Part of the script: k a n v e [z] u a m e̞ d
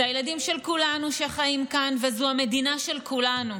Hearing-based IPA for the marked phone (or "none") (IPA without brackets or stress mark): z